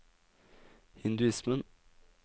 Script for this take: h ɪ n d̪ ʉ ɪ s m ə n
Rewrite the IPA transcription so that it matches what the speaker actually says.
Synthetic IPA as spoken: h ɪ n d̪ ʉ ɪ s m ə n